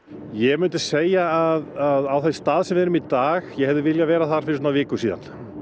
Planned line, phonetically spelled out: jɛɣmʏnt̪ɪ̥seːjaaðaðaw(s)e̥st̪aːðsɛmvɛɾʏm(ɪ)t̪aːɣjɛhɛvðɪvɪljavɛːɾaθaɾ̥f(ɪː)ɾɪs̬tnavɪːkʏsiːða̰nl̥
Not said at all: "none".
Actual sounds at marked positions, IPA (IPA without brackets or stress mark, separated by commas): θ, i, ɪ